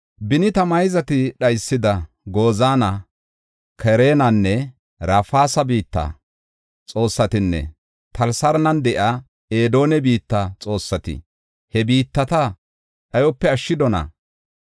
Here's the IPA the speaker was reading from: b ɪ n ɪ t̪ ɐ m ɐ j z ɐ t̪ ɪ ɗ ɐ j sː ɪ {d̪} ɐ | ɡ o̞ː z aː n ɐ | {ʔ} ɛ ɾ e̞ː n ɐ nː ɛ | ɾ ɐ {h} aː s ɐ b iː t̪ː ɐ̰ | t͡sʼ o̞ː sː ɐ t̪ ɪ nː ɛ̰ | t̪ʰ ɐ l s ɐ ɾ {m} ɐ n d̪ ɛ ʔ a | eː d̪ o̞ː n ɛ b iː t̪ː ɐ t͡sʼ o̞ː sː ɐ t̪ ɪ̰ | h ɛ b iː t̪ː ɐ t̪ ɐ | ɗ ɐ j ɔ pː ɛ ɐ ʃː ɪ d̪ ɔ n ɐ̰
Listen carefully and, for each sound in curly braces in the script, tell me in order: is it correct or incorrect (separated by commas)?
correct, incorrect, incorrect, incorrect